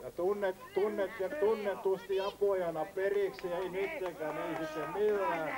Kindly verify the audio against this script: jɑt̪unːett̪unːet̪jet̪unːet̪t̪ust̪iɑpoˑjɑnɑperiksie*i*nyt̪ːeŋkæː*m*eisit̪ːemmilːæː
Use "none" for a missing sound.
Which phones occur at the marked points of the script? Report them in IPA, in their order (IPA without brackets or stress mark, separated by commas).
i, n